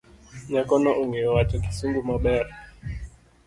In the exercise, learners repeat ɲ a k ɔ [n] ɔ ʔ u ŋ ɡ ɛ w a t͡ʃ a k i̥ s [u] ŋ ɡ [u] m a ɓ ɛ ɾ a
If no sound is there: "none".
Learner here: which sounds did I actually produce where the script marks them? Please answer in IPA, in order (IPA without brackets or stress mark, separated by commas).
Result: n, u, u